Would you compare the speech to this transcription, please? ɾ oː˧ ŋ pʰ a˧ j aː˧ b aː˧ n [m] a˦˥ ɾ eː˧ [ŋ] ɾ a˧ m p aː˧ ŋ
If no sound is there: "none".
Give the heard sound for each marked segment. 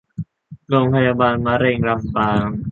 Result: m, ŋ

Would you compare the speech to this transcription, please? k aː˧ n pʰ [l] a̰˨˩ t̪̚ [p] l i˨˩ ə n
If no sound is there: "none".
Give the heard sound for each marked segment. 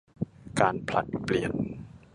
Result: l, p

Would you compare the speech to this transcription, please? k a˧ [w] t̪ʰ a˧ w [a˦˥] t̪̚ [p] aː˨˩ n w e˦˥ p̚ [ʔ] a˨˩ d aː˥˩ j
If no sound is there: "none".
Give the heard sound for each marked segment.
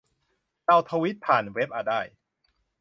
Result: w, i˦˥, pʰ, ʔ

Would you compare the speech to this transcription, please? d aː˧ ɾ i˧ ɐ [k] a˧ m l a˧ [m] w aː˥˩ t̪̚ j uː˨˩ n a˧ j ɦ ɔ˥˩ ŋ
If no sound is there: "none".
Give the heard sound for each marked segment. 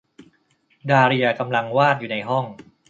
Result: k, ŋ

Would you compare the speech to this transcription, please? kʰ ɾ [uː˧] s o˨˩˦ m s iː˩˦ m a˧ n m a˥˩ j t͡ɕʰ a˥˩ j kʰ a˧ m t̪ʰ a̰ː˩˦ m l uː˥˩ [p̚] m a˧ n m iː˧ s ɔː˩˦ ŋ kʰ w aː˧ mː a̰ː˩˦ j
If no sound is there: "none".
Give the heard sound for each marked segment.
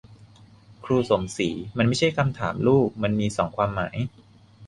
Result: uː˧, k̚

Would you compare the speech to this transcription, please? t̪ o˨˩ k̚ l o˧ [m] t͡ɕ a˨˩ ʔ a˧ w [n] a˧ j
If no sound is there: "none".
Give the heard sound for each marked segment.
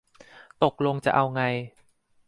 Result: ŋ, ŋ

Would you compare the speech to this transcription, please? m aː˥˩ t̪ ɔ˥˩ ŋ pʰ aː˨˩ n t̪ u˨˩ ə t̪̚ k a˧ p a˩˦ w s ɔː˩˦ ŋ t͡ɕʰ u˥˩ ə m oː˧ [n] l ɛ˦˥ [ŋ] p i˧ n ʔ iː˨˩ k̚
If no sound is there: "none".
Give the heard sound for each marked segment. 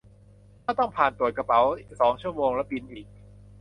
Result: ŋ, none

